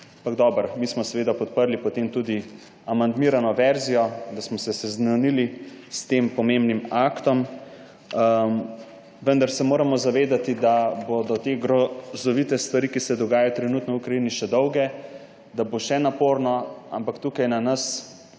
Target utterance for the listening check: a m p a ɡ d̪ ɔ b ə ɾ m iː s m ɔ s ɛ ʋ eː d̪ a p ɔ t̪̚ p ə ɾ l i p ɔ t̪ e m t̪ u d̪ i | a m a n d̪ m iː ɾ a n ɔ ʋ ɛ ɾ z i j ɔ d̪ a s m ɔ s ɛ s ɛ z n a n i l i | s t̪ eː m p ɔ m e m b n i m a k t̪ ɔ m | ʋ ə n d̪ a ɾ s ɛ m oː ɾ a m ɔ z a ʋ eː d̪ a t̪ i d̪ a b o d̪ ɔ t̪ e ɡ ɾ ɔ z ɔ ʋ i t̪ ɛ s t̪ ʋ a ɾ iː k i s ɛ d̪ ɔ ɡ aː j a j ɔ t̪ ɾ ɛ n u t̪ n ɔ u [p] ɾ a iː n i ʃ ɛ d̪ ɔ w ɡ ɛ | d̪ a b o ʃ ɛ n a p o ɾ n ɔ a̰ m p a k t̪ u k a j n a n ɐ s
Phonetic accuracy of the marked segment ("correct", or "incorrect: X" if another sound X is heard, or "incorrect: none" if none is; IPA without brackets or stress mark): incorrect: k